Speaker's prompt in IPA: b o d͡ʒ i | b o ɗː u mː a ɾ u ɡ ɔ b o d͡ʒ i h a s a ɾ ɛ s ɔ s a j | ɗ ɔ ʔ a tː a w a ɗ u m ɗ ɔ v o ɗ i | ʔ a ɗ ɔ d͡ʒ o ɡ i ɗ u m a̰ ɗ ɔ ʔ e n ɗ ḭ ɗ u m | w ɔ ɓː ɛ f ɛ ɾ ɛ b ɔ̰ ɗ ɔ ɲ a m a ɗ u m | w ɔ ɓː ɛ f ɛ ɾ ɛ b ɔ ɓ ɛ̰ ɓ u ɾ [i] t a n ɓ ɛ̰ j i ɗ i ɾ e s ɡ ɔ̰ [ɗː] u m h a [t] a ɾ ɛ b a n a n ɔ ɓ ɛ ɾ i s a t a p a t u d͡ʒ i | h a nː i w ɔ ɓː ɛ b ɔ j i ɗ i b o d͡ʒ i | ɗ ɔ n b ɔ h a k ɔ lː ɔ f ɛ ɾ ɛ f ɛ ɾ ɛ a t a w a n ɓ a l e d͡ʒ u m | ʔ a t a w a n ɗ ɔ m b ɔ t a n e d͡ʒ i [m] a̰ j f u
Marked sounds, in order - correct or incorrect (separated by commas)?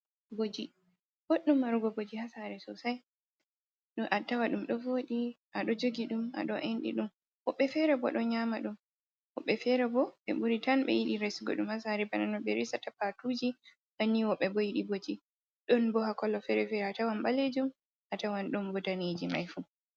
correct, incorrect, incorrect, correct